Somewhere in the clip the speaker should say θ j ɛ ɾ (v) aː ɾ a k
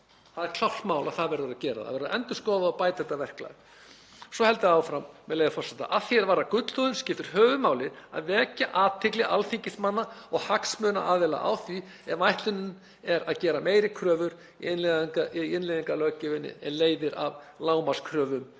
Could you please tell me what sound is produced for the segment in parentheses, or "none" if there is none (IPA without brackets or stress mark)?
v